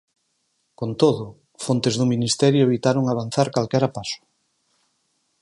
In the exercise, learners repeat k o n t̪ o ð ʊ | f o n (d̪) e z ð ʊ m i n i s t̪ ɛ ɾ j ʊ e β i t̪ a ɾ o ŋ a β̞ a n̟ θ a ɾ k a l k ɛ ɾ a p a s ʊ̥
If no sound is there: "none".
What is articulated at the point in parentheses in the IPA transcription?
t̪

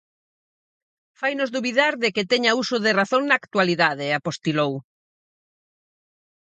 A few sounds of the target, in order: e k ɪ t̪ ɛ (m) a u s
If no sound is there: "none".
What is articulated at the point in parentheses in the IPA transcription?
ɲ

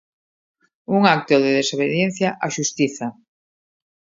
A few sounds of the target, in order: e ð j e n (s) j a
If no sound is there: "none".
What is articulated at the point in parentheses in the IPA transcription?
θ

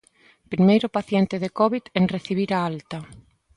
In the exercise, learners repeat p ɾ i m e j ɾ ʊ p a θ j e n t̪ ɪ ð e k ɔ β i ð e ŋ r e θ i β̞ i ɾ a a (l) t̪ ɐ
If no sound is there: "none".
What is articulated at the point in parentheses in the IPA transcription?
l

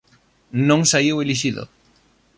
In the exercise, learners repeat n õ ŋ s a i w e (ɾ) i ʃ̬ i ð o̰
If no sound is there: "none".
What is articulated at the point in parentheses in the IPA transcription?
l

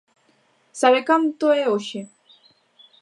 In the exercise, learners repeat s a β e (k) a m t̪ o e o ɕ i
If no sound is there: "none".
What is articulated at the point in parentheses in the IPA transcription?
k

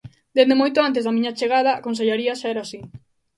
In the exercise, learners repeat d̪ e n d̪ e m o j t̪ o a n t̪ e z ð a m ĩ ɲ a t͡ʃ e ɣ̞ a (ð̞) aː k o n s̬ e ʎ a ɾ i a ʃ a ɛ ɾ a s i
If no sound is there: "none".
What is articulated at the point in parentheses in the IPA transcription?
ð̞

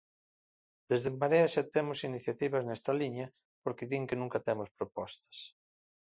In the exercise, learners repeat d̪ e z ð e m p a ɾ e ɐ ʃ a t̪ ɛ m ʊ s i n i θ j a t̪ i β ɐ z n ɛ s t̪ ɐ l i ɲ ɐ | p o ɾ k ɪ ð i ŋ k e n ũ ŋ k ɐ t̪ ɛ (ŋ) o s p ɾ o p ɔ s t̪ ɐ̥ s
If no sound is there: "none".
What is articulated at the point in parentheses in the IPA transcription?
m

